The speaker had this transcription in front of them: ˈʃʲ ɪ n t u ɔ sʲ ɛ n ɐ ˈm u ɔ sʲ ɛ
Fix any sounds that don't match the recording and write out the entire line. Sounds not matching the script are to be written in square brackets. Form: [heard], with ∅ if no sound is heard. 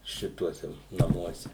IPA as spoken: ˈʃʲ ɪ [∅] t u ɔ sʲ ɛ n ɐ ˈm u ɔ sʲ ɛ